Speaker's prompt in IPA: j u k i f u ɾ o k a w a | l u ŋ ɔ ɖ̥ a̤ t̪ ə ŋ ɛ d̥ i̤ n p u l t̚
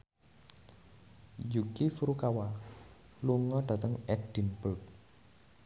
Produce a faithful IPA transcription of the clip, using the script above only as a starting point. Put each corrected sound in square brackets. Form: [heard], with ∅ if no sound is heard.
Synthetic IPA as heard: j u k i f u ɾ [u] k a w a | l u ŋ ɔ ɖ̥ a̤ t̪ ə ŋ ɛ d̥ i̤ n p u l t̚